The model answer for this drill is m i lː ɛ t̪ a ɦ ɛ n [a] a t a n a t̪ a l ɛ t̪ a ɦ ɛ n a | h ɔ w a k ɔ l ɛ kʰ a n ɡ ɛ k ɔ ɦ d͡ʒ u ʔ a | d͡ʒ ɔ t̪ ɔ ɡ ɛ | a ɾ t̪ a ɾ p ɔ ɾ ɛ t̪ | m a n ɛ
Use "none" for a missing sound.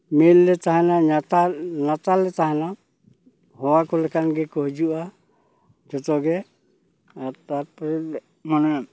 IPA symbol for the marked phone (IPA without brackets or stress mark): a